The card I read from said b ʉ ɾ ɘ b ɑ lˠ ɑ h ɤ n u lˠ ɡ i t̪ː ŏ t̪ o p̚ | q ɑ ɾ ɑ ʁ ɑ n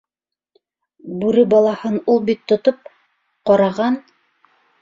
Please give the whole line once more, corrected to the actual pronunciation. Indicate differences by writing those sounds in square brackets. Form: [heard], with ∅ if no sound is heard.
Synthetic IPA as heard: b ʉ ɾ ɘ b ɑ lˠ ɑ h ɤ n u lˠ [b] i t̪ː ŏ t̪ o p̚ | q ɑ ɾ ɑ ʁ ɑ n